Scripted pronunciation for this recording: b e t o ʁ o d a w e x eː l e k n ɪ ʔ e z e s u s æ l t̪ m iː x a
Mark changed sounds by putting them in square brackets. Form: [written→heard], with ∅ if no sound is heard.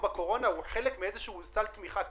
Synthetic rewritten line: b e [t→k] o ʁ o [d→n] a w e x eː l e k [n→m] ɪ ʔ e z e [s→ʃ] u s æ l t̪ m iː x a